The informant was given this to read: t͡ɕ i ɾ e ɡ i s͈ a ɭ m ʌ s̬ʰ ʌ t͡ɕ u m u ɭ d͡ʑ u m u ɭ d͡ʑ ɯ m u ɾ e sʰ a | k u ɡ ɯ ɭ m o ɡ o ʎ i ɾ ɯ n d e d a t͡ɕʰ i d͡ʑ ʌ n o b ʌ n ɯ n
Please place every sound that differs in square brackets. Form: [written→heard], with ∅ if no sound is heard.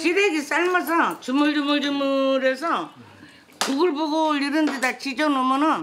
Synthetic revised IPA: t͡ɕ i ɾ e ɡ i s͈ a ɭ m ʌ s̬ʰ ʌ t͡ɕ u m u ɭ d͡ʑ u m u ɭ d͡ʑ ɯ m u ɾ e sʰ [a→ʌ] | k u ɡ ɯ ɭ [m→b] o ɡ o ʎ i ɾ ɯ n d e d a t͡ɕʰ i d͡ʑ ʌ n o [b→m] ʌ n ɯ n